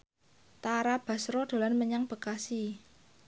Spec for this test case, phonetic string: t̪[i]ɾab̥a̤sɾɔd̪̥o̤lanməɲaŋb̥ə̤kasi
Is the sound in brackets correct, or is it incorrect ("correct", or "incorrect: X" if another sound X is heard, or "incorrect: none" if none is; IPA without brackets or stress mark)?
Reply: incorrect: a